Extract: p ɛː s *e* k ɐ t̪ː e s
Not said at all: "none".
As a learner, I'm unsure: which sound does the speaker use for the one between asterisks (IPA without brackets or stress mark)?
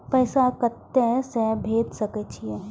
a